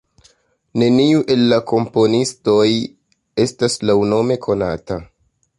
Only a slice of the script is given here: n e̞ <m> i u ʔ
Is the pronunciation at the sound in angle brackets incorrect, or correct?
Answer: incorrect